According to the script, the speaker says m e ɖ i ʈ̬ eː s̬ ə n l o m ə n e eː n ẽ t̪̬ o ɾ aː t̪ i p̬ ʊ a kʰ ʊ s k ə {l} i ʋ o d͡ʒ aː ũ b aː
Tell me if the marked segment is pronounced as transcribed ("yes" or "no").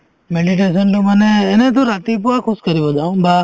no